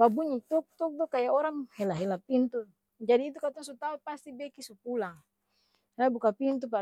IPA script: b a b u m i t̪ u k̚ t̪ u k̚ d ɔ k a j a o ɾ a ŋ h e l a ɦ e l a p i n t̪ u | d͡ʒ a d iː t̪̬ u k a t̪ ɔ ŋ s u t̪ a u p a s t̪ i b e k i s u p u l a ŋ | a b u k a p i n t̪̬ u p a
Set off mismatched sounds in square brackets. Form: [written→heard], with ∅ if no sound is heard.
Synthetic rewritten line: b a b u [m→ɲ] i t̪ u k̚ t̪ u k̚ d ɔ k a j a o ɾ a ŋ h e l a ɦ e l a p i n t̪ u | d͡ʒ a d iː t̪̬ u k a t̪ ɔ ŋ s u t̪ a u p a s t̪ i b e k i s u p u l a ŋ | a b u k a p i n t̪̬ u p a